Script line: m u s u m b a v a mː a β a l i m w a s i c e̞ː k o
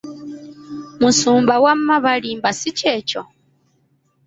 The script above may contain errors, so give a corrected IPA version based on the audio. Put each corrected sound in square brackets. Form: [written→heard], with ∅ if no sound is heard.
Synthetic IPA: m u s [u→uː] m b a [v→w] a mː a β a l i m [w→b] a s i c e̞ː [k→c] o